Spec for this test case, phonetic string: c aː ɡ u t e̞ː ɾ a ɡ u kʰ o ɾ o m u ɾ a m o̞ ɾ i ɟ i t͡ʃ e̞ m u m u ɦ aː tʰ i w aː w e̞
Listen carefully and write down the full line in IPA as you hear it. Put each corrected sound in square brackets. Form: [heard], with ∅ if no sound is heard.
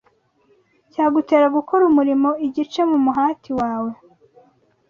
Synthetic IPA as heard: c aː ɡ u t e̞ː ɾ a ɡ u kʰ o ɾ [u] m u ɾ [i] m o̞ [∅] i ɟ i t͡ʃ e̞ m u m u ɦ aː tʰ i w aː w e̞